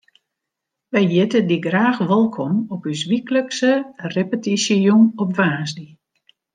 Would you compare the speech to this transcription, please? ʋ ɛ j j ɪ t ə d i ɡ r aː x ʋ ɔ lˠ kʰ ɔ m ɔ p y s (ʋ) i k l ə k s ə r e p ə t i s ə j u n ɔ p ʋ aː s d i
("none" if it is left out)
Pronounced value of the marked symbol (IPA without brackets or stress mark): ʋ